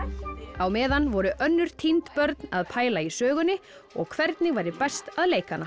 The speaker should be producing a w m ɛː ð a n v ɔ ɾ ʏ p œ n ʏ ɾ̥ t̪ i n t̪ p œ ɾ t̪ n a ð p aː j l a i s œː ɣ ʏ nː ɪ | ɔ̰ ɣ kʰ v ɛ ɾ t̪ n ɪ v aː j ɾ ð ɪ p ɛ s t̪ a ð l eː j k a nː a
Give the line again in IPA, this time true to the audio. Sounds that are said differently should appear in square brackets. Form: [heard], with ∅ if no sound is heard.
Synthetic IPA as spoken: a w m ɛː ð a n v ɔ ɾ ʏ [ʔ] œ [nː] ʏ ɾ̥ [t̪ʰ] i n t̪ p œ ɾ t̪ n a ð [pʰ] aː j l a i s œː ɣ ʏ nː ɪ | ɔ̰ ɣ kʰ v ɛ ɾ t̪ n ɪ v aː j ɾ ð ɪ p ɛ s t̪ a ð l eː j k a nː a